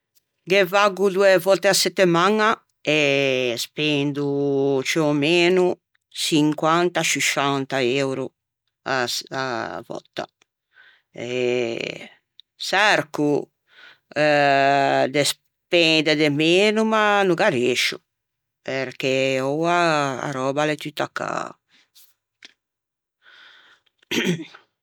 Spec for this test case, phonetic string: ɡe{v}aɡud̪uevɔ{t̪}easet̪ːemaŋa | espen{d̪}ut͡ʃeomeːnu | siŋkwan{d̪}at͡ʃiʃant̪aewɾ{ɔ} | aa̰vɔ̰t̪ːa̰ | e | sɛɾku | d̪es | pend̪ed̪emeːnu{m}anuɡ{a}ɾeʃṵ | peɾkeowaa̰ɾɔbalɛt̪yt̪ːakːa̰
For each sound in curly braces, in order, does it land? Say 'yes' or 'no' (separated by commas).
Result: yes, yes, yes, no, no, yes, yes